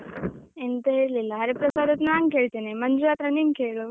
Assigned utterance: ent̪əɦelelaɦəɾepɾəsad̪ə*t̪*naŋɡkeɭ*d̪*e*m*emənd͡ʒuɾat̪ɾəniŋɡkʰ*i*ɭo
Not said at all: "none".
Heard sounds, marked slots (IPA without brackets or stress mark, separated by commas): t̪, t̪, n, e